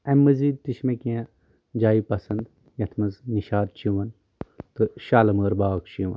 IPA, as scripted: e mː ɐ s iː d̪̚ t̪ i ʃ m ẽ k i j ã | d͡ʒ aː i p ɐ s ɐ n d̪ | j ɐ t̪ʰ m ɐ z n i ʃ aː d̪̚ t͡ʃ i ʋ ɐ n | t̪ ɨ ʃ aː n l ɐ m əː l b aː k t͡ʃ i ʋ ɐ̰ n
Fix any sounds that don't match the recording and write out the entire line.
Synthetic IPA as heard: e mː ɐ z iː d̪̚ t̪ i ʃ m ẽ k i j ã | d͡ʒ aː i p ɐ s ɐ n d̪ | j ɐ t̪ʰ m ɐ z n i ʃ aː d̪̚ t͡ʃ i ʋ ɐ n | t̪ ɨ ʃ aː l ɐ m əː ɾ b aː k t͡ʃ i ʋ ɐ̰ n